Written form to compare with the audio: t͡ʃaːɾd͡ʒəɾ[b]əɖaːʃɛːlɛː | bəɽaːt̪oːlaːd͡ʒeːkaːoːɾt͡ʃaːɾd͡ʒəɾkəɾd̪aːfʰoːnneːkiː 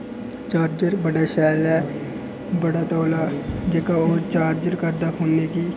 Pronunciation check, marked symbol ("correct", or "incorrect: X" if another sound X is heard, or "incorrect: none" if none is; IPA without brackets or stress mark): correct